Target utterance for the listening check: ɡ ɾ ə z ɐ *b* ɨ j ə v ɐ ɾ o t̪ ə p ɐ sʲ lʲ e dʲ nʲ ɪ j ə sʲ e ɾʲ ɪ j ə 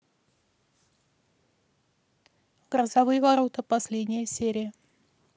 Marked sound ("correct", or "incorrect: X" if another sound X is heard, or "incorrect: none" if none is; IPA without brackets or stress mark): incorrect: v